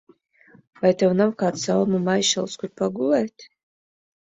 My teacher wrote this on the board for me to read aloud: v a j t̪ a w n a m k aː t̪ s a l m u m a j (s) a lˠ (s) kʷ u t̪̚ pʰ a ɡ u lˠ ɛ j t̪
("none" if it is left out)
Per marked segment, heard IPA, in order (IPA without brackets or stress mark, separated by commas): ʃ, s